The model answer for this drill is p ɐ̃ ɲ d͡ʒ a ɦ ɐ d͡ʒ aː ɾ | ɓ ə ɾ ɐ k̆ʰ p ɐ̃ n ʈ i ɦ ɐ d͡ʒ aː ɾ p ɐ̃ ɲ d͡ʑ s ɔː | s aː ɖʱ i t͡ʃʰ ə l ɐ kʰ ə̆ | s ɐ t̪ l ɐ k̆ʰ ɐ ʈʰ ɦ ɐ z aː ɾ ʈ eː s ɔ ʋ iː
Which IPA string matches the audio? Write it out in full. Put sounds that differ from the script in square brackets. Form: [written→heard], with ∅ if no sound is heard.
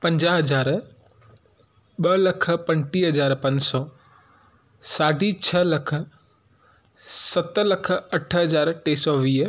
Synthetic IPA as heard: p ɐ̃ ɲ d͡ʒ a ɦ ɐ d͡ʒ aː ɾ | ɓ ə [ɾ→l] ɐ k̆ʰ p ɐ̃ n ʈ i ɦ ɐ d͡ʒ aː ɾ p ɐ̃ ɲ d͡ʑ s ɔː | s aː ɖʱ i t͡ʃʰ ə l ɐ kʰ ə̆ | s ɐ t̪ l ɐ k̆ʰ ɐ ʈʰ ɦ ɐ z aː ɾ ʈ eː s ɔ ʋ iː